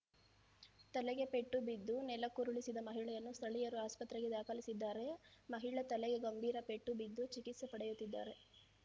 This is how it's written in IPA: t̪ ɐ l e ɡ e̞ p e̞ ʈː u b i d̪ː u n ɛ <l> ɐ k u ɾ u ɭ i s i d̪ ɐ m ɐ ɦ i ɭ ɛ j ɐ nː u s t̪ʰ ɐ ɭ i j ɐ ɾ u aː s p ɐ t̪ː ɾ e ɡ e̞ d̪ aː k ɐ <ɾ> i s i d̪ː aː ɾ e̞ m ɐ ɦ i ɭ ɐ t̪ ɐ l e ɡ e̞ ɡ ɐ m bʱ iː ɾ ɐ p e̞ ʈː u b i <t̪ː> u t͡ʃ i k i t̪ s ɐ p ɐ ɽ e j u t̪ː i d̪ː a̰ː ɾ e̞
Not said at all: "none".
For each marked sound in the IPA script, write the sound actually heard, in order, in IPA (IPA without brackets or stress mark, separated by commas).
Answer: l, l, d̪ː